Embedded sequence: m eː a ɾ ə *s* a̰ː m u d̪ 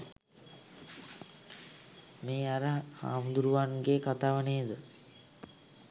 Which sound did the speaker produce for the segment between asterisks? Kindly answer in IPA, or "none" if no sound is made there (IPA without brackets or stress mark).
h